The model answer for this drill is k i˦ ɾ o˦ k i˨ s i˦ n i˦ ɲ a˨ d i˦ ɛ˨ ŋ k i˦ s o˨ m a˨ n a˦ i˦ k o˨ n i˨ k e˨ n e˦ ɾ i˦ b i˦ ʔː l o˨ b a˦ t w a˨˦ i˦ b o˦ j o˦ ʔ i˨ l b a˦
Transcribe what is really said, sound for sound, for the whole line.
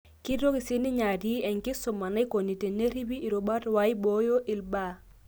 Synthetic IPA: k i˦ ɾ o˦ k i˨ s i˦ n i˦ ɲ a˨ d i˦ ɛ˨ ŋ k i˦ s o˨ m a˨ n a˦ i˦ k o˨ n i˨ t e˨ n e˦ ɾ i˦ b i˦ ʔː ɾ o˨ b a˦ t w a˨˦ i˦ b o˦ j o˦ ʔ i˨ l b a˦